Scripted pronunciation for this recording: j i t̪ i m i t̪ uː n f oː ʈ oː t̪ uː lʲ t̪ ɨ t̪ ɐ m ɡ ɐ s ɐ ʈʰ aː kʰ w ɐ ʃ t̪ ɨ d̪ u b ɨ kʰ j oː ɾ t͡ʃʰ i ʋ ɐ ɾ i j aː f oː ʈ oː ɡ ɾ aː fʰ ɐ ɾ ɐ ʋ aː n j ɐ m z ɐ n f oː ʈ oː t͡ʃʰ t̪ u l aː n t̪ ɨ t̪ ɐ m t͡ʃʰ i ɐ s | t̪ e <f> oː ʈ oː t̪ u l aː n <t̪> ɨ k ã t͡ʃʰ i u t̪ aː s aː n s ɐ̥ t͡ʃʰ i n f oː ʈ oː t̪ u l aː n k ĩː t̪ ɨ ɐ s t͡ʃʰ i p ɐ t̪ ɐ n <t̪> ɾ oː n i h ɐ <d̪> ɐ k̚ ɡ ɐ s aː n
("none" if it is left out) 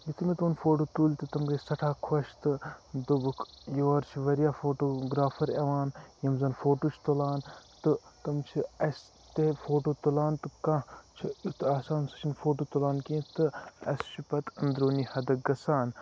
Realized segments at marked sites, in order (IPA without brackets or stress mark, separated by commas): f, t̪, d̪, d̪